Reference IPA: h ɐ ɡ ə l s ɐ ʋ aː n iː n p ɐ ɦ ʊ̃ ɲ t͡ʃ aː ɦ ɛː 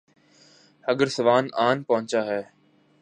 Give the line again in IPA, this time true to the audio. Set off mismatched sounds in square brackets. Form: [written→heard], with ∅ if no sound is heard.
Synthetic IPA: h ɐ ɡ ə [l→ɾ] s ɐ ʋ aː n [iː→aː] n p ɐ ɦ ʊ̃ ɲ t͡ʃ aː ɦ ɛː